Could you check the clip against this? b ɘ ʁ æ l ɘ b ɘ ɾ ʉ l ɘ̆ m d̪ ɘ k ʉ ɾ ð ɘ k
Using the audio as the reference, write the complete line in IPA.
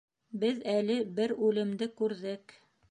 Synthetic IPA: b ɘ ð æ l ɘ b ɘ ɾ ʉ l ɘ̆ m d̪ ɘ k ʉ ɾ ð ɘ k